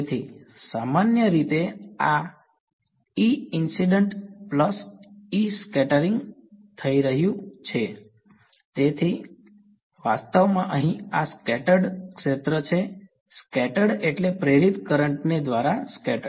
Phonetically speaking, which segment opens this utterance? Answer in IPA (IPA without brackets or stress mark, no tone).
t̪ʰ